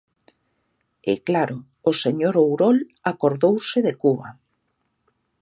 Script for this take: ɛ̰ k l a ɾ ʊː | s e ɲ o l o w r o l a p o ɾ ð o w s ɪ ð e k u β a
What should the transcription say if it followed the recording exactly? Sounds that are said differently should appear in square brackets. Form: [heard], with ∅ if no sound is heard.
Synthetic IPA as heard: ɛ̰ k l a ɾ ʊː | s e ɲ o [ɾ] o w [ɾ] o l a [k] o ɾ ð o w s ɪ ð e k u β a